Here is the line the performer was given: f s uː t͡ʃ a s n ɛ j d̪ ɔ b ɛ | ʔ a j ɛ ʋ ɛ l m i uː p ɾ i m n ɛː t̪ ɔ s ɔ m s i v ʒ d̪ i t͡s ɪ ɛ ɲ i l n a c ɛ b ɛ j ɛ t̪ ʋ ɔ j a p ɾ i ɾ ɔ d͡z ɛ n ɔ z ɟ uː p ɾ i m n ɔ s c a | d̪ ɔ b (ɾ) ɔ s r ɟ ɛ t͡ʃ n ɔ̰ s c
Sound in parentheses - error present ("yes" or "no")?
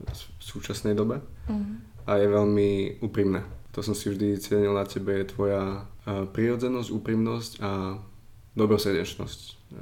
no